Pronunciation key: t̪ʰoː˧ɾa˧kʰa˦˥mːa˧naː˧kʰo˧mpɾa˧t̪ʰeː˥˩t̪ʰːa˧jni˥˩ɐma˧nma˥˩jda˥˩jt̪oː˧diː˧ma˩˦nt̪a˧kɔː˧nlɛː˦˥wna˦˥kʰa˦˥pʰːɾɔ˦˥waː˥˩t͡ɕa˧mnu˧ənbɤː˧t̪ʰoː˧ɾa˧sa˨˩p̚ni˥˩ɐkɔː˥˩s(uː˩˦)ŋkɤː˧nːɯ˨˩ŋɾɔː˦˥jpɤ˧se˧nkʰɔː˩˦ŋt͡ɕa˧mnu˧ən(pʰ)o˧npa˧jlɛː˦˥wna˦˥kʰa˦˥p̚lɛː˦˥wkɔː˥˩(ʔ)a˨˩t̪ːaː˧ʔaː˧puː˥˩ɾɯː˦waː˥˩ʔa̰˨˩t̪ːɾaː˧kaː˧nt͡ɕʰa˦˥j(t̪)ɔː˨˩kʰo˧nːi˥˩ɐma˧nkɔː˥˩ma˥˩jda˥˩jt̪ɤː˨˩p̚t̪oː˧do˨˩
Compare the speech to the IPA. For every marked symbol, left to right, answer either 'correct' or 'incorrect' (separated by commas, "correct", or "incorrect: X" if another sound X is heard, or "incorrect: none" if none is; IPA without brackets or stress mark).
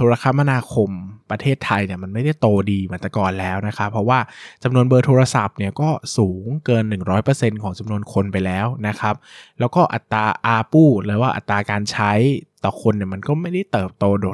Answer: correct, incorrect: kʰ, correct, correct